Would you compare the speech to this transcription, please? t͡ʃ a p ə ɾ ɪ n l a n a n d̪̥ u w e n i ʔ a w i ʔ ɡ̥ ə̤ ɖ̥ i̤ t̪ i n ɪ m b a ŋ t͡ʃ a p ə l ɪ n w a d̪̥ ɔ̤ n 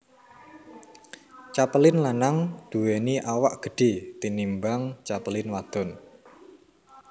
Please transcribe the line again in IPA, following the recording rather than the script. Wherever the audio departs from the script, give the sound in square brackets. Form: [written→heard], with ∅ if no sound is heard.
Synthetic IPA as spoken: t͡ʃ a p ə [ɾ→l] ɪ n l a n a [n→ŋ] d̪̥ u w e n i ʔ a w [i→a] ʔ ɡ̥ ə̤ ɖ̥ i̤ t̪ i n [ɪ→i] m b a ŋ t͡ʃ a p ə l ɪ n w a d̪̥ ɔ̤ n